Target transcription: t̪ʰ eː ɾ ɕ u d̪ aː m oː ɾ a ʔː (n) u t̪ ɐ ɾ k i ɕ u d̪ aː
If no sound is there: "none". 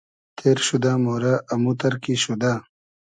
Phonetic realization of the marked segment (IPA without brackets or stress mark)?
m